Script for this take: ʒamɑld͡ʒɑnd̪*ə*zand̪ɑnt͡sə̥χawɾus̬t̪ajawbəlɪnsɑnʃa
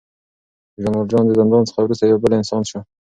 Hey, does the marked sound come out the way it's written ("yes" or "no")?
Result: yes